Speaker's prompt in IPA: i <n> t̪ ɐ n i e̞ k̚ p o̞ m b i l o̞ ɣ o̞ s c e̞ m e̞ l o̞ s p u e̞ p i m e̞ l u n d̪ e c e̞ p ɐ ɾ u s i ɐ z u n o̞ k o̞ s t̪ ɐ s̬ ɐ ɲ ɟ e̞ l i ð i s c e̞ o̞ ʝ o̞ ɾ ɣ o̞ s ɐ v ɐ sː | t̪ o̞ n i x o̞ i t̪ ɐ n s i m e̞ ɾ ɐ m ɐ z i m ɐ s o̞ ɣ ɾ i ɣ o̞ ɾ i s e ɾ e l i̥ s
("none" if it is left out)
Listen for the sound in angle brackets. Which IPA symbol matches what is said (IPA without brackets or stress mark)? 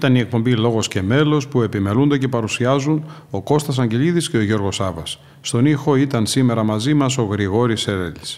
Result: none